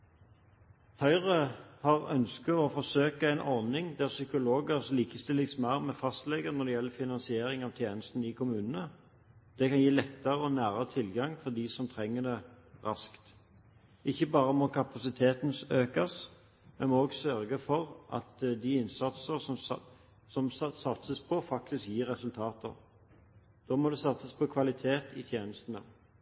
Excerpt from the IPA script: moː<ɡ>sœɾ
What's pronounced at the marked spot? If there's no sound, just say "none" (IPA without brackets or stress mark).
ɡ